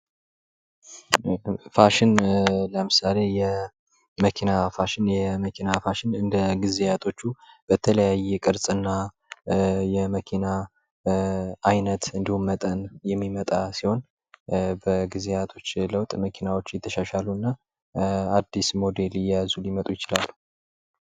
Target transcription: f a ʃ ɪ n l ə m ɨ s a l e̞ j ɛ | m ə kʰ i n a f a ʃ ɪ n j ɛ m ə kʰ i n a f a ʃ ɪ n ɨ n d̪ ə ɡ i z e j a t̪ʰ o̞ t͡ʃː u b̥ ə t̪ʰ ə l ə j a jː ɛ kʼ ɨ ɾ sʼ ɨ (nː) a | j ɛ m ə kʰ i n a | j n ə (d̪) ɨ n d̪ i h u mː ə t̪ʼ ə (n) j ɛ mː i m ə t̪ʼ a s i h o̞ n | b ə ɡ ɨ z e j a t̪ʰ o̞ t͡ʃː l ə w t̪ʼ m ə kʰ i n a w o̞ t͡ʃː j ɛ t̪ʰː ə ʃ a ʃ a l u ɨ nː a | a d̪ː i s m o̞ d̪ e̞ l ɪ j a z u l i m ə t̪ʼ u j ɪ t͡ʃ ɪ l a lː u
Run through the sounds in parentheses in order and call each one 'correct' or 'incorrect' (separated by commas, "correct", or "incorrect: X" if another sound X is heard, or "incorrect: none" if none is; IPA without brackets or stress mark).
correct, incorrect: t̪, correct